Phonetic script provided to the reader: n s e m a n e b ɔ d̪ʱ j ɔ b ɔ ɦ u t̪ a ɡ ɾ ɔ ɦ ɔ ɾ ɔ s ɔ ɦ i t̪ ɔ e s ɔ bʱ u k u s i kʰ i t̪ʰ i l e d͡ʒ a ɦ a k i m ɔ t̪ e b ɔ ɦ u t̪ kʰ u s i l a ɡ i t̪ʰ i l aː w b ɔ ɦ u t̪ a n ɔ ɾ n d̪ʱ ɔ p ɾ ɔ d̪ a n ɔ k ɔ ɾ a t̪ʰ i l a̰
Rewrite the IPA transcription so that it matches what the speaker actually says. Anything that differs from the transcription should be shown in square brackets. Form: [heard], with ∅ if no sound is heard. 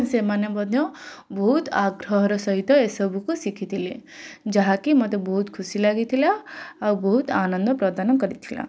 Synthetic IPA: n s e m a n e b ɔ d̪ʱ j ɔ b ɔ ɦ u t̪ a ɡ ɾ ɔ ɦ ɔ ɾ ɔ s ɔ ɦ i t̪ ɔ e s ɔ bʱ u k u s i kʰ i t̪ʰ i l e d͡ʒ a ɦ a k i m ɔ t̪ e b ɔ ɦ u t̪ kʰ u s i l a ɡ i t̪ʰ i l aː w b ɔ ɦ u t̪ a n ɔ [∅] n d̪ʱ ɔ p ɾ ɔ d̪ a n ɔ k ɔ ɾ [i] t̪ʰ i l a̰